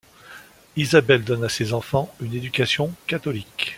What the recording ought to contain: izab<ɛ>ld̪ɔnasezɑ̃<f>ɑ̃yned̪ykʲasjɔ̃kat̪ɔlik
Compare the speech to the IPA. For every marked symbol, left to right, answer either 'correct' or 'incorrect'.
correct, correct

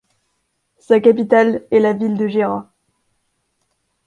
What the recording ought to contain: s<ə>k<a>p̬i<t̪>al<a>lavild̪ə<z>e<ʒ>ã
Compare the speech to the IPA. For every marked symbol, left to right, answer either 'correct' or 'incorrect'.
incorrect: a, correct, correct, incorrect: ɛ, incorrect: ʒ, incorrect: ʁ

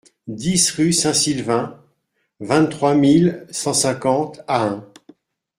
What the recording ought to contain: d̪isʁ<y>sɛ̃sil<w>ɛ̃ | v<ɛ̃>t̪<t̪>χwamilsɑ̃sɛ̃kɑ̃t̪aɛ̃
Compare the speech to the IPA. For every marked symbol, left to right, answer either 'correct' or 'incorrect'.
correct, incorrect: v, correct, correct

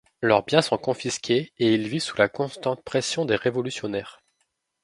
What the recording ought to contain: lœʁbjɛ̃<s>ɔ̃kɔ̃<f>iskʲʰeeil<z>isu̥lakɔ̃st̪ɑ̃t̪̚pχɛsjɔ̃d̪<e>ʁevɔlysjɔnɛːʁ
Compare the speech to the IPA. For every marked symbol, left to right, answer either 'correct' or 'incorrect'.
correct, correct, incorrect: v, correct

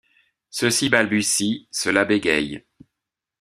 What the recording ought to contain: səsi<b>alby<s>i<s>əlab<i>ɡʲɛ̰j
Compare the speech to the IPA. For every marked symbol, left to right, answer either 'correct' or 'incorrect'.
correct, correct, correct, incorrect: e

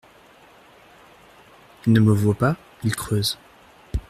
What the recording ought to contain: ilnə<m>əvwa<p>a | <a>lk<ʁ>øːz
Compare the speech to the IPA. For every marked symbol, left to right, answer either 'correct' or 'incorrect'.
correct, correct, incorrect: i, incorrect: χ

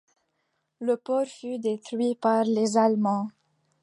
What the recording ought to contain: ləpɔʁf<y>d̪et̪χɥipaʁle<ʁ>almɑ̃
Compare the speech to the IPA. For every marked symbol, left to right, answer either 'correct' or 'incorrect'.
correct, incorrect: z

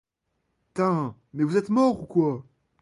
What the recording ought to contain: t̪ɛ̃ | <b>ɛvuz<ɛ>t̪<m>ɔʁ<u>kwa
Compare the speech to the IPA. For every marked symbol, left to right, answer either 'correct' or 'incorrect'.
incorrect: m, correct, correct, correct

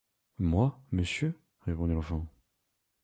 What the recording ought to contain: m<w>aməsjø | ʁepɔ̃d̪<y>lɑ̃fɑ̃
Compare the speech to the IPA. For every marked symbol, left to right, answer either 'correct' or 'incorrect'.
correct, incorrect: i

